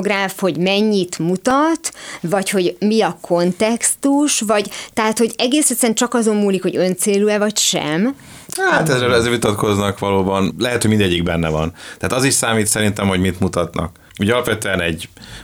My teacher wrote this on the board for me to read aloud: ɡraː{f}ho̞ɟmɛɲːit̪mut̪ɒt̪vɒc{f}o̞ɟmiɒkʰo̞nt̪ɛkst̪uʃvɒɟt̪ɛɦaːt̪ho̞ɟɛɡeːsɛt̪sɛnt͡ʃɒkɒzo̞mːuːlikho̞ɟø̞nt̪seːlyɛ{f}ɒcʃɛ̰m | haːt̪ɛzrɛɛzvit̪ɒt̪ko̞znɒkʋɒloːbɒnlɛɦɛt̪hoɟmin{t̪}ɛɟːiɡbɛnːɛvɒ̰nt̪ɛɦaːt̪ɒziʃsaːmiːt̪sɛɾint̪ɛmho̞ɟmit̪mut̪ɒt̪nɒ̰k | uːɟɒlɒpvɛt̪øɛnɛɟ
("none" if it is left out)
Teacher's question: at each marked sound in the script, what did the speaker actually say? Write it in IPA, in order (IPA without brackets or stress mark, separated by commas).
f, h, v, d̪